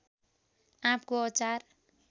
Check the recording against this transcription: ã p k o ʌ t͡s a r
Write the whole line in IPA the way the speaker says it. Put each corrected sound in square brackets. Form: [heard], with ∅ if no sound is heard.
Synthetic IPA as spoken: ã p k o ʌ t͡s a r